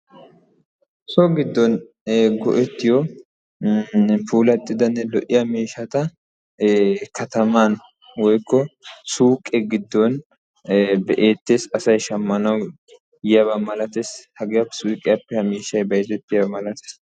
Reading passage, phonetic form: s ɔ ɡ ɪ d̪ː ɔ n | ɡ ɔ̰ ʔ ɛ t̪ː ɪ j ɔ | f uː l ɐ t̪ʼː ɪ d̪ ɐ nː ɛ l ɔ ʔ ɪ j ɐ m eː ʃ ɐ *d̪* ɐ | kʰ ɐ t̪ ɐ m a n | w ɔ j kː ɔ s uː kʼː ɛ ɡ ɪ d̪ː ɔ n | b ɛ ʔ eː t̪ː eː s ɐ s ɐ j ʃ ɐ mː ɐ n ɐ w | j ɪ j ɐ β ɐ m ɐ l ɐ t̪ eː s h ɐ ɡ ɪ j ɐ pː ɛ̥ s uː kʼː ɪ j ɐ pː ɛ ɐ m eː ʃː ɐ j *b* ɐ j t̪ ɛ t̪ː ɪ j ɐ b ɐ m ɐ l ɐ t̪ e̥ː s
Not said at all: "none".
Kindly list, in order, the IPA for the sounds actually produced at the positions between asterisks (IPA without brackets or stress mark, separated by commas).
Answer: t̪, b